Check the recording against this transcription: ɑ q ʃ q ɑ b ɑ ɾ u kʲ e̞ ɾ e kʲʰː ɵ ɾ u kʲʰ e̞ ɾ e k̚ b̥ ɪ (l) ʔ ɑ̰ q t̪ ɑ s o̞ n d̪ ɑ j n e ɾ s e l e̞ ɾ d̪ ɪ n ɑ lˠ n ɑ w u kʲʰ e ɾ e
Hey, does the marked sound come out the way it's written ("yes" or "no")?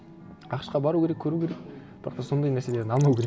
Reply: no